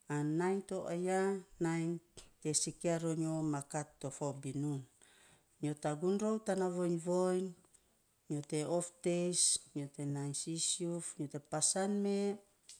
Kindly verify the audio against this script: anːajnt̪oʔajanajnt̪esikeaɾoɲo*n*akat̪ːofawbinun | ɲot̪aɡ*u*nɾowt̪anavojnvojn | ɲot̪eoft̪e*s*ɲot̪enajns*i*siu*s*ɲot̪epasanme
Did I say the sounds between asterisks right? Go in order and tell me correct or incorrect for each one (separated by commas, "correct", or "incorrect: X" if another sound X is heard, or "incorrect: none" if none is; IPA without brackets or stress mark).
incorrect: m, correct, correct, correct, incorrect: f